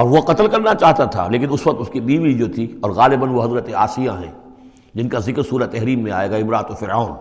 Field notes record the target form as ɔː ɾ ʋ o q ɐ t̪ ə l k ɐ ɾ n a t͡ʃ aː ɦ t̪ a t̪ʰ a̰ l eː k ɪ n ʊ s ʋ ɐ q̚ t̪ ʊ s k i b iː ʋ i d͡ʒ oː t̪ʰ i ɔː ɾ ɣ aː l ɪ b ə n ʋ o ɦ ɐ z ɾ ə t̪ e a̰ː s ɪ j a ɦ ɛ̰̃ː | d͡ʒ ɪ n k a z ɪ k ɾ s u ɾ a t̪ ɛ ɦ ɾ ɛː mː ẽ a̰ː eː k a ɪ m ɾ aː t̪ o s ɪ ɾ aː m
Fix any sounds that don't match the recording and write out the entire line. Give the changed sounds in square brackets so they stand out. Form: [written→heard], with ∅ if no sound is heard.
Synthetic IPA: ɔː ɾ ʋ o q ɐ t̪ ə l k ɐ ɾ n a t͡ʃ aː ɦ t̪ a t̪ʰ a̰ l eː k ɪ n ʊ s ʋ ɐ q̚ t̪ ʊ s k i b iː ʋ i d͡ʒ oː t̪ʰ i ɔː ɾ ɣ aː l ɪ b ə n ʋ o ɦ ɐ z ɾ ə t̪ e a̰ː s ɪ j a ɦ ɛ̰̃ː | d͡ʒ ɪ n k a z ɪ k ɾ s [u→uː] ɾ a t̪ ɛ ɦ ɾ [ɛː→iː] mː ẽ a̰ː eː [k→ɡ] a ɪ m ɾ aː t̪ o [s→f] ɪ ɾ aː [m→n]